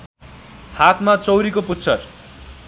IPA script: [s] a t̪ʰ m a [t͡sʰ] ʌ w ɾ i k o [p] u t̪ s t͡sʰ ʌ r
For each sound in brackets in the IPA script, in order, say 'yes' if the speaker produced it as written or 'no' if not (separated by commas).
no, no, yes